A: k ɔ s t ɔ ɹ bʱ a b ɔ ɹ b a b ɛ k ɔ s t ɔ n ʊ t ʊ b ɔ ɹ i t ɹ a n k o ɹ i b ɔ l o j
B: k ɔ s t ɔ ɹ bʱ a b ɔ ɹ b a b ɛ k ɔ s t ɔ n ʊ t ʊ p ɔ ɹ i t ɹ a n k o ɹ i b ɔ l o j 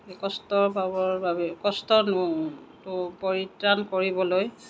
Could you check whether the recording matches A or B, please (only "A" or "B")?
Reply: B